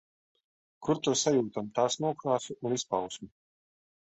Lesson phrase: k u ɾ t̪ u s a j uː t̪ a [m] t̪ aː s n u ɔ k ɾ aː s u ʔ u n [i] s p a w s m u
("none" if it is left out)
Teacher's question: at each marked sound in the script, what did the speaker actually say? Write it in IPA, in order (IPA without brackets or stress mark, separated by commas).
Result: m, i